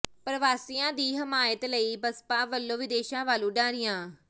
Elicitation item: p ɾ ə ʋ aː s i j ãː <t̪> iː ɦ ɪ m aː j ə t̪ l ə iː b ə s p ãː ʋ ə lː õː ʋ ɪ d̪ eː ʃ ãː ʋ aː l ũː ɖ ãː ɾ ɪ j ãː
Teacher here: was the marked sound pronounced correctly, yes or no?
no